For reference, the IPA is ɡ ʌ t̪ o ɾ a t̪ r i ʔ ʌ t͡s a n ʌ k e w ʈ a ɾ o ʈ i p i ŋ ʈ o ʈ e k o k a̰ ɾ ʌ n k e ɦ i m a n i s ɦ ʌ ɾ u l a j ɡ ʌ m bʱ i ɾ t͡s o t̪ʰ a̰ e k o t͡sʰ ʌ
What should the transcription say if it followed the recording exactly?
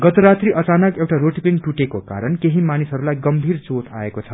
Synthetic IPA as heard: ɡ ʌ t̪ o ɾ a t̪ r i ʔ ʌ t͡s a n ʌ k e w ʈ a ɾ o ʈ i p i ŋ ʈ u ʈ e k o k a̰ ɾ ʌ n k e ɦ i m a n i s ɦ ʌ ɾ u l a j ɡ ʌ m bʱ i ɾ t͡s o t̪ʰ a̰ e k o t͡sʰ ʌ